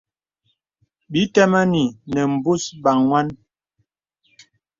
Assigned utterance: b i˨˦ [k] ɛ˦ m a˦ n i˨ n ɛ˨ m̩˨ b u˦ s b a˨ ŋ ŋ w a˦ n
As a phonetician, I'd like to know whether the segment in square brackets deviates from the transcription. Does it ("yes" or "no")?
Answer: yes